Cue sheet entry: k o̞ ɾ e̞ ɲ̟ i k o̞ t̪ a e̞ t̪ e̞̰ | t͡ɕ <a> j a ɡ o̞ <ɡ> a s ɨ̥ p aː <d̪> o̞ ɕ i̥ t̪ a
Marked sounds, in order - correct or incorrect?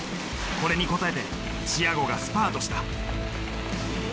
incorrect: i, correct, incorrect: t̪

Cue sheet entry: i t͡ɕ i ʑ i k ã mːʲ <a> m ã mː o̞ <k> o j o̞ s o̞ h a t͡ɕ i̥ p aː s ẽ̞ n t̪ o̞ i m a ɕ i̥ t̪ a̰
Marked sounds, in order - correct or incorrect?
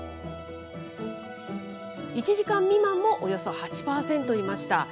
incorrect: i, incorrect: ʔ

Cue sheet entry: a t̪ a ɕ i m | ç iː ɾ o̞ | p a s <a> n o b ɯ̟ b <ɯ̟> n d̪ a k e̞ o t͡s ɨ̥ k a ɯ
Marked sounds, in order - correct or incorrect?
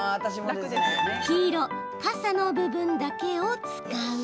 correct, incorrect: ɯ̟̃

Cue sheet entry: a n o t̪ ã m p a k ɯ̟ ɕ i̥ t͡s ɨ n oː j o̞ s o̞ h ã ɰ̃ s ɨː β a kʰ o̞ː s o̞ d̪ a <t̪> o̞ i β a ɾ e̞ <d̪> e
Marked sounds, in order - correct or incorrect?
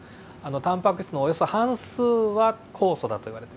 correct, incorrect: t̪

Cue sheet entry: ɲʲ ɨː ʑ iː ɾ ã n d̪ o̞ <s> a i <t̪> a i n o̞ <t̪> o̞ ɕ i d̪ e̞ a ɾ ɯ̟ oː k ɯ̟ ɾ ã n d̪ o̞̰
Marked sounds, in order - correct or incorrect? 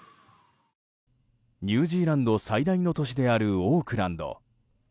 correct, incorrect: d̪, correct

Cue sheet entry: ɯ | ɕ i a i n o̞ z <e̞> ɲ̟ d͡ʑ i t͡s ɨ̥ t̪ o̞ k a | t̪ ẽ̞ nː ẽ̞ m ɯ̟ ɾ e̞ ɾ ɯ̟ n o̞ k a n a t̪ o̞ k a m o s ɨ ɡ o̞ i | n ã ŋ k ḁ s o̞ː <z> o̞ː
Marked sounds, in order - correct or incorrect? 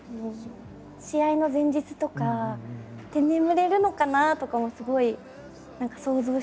incorrect: ẽ̞, correct

